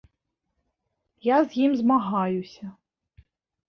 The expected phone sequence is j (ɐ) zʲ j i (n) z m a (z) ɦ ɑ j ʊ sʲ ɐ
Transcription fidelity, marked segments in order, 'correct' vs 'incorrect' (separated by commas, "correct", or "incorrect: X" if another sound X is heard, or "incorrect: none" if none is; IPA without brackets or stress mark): incorrect: a, incorrect: m, incorrect: none